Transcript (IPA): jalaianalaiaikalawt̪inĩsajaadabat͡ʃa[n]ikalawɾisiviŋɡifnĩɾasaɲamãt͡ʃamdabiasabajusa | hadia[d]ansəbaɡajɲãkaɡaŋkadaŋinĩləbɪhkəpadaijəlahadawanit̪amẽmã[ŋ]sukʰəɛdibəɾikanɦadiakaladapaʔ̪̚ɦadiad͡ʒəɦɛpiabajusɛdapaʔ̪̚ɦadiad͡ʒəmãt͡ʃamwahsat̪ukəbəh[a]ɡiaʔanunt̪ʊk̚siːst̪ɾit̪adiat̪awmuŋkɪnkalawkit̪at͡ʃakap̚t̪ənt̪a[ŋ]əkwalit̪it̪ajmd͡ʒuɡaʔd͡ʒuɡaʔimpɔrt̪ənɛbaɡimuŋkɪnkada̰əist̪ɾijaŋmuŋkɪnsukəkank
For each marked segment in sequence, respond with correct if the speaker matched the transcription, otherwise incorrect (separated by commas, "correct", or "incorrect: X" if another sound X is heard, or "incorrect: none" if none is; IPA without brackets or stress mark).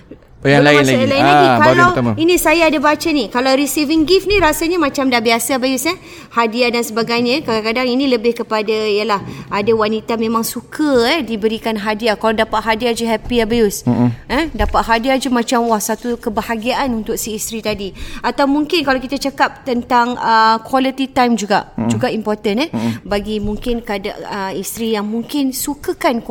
correct, correct, correct, correct, correct